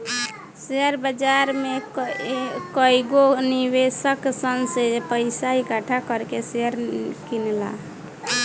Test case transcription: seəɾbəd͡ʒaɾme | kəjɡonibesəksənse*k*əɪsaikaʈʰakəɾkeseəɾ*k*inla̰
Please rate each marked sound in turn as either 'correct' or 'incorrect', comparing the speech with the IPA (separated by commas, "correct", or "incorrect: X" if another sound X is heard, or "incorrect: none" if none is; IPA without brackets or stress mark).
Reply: incorrect: p, correct